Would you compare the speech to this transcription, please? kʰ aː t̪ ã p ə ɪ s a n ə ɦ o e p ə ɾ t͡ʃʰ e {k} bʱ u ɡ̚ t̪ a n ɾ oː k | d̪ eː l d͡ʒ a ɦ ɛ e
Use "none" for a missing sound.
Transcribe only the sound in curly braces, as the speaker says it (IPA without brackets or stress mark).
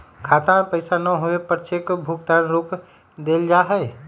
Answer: k